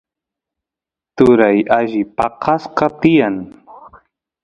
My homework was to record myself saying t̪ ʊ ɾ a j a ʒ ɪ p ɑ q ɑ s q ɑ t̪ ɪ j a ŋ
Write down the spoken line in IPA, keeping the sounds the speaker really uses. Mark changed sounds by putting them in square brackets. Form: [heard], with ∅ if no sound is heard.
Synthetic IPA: t̪ ʊ ɾ a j a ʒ ɪ p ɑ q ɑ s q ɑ t̪ ɪ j a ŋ